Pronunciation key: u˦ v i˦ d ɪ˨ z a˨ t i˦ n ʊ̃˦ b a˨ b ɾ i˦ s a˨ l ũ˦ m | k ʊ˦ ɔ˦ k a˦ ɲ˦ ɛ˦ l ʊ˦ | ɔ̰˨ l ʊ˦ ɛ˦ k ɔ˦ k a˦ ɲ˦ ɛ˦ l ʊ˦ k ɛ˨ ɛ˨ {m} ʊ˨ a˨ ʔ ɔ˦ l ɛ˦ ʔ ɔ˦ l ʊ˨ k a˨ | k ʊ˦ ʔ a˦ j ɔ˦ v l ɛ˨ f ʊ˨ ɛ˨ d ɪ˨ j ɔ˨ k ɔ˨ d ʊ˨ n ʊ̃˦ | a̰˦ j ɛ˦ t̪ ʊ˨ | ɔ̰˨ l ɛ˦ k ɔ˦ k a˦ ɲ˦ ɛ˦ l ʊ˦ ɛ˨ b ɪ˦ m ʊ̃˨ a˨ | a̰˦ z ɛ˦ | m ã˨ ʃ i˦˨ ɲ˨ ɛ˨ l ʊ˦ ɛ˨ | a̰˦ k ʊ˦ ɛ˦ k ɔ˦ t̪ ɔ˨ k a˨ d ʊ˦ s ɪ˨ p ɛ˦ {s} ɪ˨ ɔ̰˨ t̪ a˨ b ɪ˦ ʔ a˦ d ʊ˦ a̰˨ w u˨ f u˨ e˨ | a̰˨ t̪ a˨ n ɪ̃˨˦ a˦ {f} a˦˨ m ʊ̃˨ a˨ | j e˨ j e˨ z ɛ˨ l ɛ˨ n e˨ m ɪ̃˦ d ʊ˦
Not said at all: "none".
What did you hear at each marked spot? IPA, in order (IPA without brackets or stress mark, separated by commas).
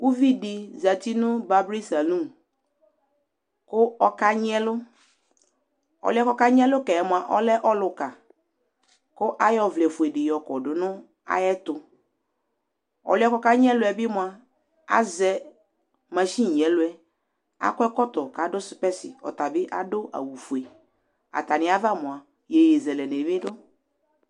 m, s, v